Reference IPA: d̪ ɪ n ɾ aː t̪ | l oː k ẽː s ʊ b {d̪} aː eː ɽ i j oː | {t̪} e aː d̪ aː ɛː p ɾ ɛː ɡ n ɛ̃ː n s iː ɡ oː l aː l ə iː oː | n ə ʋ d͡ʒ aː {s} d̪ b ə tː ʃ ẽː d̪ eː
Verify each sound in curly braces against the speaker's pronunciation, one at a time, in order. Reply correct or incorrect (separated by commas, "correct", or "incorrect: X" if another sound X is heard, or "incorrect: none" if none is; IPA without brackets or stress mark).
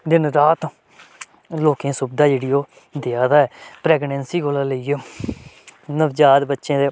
correct, incorrect: d̪, incorrect: none